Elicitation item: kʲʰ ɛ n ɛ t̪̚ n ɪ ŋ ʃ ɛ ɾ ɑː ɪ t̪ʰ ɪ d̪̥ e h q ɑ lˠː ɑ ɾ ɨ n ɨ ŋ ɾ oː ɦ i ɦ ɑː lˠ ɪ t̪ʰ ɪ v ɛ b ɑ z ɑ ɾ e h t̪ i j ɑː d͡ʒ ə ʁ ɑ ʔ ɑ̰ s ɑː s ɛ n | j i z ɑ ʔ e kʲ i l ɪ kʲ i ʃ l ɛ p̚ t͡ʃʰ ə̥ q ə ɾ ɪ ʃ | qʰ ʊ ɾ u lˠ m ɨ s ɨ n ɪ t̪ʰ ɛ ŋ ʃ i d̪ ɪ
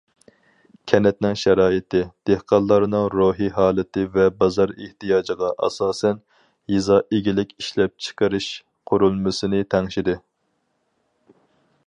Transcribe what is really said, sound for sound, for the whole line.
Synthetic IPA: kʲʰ ɛ n ɛ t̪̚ n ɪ ŋ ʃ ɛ ɾ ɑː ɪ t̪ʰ ɪ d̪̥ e h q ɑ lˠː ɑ ɾ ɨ n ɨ ŋ ɾ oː ɦ i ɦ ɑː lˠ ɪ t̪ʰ ɪ v ɛ b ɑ z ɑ ɾ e h t̪ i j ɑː d͡ʒ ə ʁ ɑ ʔ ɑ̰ s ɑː s ɛ n | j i z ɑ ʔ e ɡʲ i l ɪ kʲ i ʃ l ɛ p̚ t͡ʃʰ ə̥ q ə ɾ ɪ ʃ | qʰ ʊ ɾ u lˠ m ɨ s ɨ n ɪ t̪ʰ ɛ ŋ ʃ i d̪ ɪ